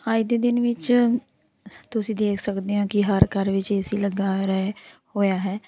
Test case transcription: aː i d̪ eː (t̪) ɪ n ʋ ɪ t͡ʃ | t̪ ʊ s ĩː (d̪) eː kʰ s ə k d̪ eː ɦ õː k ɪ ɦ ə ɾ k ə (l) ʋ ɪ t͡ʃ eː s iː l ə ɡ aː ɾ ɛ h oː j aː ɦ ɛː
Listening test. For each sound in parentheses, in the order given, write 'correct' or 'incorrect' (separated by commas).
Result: incorrect, correct, incorrect